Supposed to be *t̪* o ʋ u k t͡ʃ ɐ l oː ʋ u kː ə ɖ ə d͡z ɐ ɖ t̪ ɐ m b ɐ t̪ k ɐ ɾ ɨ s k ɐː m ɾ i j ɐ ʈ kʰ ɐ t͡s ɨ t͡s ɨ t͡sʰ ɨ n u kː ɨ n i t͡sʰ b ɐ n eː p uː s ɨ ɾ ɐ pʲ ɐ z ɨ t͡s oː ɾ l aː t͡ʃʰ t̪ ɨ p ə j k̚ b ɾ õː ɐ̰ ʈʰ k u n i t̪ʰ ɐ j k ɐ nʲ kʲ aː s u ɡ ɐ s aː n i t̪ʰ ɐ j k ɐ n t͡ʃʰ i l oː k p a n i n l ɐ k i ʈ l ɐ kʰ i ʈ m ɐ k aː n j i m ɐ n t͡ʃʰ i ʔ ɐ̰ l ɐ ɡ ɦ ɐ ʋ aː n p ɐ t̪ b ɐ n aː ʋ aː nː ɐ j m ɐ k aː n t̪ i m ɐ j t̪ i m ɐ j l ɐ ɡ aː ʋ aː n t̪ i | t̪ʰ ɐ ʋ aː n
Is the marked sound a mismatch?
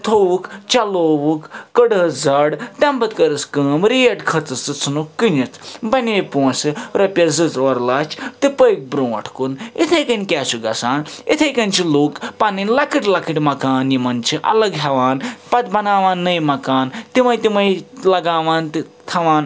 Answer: yes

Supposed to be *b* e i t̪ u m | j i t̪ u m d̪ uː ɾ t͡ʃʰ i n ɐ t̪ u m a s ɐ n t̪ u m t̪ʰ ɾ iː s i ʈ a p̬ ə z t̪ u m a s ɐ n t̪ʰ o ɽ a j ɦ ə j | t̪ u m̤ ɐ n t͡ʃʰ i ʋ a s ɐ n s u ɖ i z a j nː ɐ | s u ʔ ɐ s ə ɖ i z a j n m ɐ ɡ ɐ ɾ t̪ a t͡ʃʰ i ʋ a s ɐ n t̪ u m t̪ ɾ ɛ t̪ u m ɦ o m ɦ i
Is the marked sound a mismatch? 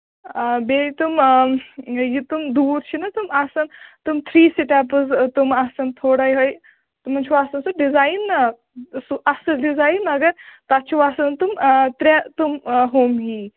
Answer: no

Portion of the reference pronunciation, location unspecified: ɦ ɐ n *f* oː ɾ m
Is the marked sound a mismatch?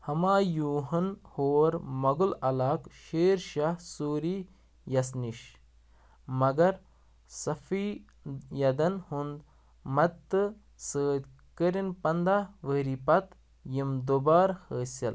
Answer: yes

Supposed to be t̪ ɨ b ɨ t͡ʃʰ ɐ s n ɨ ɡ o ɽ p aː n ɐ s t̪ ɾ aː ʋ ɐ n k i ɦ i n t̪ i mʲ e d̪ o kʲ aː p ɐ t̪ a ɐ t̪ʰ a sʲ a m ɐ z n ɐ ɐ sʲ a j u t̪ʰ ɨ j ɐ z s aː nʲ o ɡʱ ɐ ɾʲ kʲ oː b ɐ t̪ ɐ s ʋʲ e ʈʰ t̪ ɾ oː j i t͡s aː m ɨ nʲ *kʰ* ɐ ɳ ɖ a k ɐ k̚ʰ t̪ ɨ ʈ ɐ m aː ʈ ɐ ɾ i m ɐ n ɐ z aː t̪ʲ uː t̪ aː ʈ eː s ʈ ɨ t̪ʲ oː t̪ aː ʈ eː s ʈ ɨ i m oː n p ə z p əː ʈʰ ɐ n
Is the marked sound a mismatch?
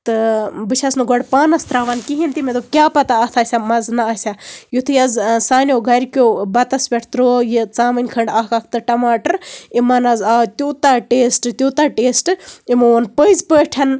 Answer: no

